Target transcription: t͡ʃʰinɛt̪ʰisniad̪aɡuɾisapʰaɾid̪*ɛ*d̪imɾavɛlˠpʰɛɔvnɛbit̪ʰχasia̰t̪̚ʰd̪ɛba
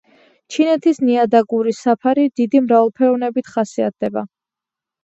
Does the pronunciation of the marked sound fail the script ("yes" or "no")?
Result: yes